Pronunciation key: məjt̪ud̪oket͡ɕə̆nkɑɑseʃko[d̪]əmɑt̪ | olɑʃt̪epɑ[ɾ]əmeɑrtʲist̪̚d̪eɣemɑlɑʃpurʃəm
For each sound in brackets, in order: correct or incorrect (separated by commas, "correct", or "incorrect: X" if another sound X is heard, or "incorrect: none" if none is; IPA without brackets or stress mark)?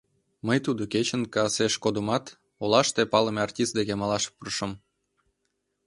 correct, incorrect: l